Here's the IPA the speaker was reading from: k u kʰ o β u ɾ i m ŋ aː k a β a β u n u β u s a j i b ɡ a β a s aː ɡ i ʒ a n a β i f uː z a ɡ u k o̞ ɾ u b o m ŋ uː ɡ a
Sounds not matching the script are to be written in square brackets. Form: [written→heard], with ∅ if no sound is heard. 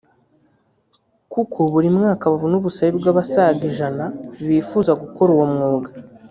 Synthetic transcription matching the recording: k u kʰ o β u ɾ i m ŋ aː k a β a β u n u β u s a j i b ɡ a β a s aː ɡ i ʒ a n a β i f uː z a ɡ u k o̞ ɾ u [b→w] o m ŋ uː ɡ a